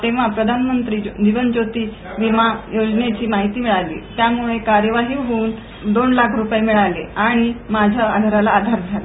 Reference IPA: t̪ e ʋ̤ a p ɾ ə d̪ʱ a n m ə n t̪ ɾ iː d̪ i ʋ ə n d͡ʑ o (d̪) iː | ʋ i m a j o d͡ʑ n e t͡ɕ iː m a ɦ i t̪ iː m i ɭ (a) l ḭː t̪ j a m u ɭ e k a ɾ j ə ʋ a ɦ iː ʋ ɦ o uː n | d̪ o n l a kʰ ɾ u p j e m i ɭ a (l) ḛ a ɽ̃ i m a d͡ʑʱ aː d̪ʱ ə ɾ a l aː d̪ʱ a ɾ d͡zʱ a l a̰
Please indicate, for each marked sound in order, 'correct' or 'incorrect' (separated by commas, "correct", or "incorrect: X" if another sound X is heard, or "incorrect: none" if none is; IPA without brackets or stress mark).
incorrect: t̪, correct, correct